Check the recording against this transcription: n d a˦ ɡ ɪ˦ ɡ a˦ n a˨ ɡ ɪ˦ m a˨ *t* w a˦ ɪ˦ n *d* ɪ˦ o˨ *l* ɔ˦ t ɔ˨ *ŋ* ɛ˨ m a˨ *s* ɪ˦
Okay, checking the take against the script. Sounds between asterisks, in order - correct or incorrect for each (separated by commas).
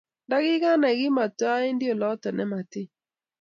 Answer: correct, correct, correct, incorrect, incorrect